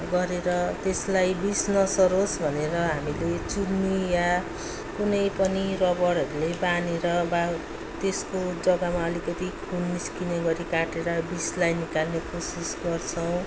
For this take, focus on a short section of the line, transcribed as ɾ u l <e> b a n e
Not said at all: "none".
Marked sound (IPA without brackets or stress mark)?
e